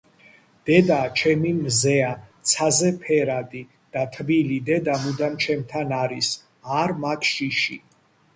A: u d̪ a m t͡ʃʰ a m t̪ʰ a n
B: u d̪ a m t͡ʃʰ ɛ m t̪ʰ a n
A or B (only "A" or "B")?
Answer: B